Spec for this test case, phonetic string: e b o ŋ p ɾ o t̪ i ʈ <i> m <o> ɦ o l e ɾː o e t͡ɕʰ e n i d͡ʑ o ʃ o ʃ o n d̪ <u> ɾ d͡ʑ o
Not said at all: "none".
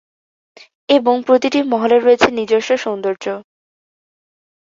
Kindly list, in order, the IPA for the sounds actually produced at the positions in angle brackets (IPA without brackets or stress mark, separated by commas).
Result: i, ɔ, o